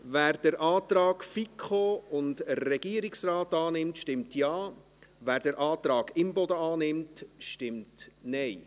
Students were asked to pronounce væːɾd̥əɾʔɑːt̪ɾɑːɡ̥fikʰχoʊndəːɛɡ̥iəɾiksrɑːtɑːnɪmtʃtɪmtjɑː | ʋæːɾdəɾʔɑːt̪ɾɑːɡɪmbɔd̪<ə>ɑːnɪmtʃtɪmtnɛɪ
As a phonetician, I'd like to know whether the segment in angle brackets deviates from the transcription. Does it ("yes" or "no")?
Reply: no